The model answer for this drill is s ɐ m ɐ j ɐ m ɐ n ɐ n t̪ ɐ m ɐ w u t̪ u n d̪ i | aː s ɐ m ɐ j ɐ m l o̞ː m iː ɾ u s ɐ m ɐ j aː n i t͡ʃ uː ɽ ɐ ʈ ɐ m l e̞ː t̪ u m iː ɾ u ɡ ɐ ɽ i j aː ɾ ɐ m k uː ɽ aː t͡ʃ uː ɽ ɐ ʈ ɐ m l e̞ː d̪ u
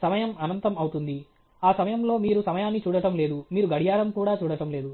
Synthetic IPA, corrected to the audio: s ɐ m ɐ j ɐ m ɐ n ɐ n t̪ ɐ m ɐ w u t̪ u n d̪ i | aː s ɐ m ɐ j ɐ m l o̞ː m iː ɾ u s ɐ m ɐ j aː nː i t͡ʃ uː ɽ ɐ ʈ ɐ m l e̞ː d̪ u m iː ɾ u ɡ ɐ ɽ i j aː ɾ ɐ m k uː ɽ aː t͡ʃ uː ɽ ɐ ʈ ɐ m l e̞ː d̪ u

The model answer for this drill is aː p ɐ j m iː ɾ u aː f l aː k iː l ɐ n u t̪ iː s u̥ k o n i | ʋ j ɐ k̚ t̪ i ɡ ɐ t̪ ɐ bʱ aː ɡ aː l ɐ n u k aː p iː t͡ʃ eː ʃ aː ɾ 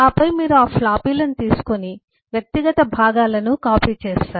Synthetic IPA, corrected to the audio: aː p ɐ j m iː ɾ u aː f l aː p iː l ɐ n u t̪ iː s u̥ k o n i | ʋ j ɐ k̚ t̪ i ɡ ɐ t̪ ɐ bʱ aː ɡ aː l ɐ n u k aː p iː t͡ʃ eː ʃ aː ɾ

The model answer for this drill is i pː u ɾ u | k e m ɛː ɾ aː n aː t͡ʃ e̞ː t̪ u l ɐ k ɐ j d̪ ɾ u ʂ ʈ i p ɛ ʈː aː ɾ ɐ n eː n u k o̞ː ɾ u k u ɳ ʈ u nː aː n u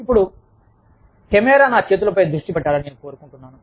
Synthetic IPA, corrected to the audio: i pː u ɽ u | k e m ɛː ɾ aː n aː t͡ʃ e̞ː t̪ u l ɐ p ɐ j d̪ ɾ u ʂ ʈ i p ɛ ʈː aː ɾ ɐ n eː n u k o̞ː ɾ u k u ɳ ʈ u nː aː n u

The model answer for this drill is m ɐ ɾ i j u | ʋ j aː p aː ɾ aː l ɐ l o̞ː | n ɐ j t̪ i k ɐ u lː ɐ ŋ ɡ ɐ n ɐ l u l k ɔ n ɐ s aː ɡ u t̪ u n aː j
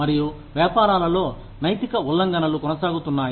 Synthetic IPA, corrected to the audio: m ɐ ɾ i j u | ʋ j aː p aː ɾ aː l ɐ l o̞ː | n ɐ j t̪ i k ɐ u lː ɐ ŋ ɡ ɐ n ɐ l u k ɔ n ɐ s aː ɡ u t̪ u nː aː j

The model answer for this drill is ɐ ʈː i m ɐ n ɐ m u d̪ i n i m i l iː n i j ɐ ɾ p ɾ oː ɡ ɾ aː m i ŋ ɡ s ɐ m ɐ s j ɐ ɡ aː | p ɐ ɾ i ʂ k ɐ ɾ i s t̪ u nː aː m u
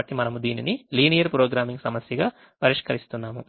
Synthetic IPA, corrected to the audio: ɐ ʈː i m ɐ n ɐ m u d̪ iː n i n i l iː n i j ɐ ɾ p ɾ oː ɡ ɾ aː m i ŋ ɡ s ɐ m ɐ s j ɐ ɡ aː | p ɐ ɾ i ʂ k ɐ ɾ i s t̪ u nː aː m u

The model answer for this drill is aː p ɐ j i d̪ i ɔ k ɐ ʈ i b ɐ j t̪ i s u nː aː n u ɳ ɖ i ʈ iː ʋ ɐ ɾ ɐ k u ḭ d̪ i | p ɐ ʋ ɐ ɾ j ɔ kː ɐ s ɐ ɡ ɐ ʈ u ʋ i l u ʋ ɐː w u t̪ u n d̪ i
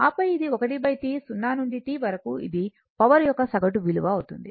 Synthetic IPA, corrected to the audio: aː p ɐ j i d̪ i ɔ k ɐ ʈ i b ɐ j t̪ i s u nː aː n u ɳ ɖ i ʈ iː ʋ ɐ ɾ ɐ k u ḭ d̪ i | p ɐ ʋ ɐ ɾ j ɔ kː ɐ s ɐ ɡ ɐ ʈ u ʋ i l u ʋ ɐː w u t̪ u n d̪ i

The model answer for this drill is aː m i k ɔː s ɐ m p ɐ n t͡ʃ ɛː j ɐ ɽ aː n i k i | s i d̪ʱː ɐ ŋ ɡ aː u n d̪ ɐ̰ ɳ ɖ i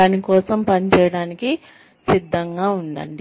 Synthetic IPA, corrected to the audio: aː n i k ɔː s ɐ m p ɐ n t͡ʃ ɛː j ɐ ɽ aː n i k i | s i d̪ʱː ɐ ŋ ɡ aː u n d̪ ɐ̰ ɳ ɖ i

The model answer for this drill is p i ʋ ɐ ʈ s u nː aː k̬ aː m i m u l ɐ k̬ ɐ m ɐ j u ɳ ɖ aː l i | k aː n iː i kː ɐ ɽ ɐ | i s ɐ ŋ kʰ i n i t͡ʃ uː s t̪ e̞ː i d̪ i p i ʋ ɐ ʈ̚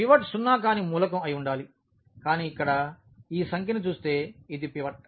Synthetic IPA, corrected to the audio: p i ʋ ɐ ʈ s u nː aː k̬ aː n i m uː l ɐ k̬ ɐ m ɐ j u ɳ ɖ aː l i | k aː n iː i kː ɐ ɽ ɐ | iː s ɐ ŋ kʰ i n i t͡ʃ uː s t̪ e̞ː i d̪ i p i ʋ ɐ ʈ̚

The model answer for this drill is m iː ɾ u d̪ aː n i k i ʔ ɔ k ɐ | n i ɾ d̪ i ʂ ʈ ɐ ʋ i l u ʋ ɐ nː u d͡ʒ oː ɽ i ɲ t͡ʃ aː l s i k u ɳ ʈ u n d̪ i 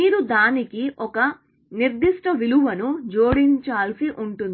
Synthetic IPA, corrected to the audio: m iː ɾ u d̪ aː n i k i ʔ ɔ k ɐ | n i ɾ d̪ i ʂ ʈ ɐ ʋ i l u ʋ ɐ n u d͡ʒ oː ɽ i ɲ t͡ʃ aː l s i ʔ u ɳ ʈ u n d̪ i

